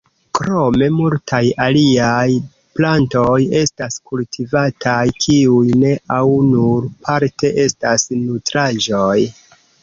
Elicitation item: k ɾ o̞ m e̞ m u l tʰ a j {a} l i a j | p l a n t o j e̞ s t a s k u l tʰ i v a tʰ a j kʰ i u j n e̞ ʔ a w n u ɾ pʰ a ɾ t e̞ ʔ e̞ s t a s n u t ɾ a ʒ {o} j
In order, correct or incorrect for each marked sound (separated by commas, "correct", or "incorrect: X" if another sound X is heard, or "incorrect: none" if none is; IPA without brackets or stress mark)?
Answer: correct, correct